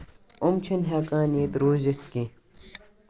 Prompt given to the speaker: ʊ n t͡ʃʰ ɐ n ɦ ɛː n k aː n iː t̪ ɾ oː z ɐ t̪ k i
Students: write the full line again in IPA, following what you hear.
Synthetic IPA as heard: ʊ m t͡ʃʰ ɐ n ɦ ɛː k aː n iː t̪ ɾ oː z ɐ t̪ k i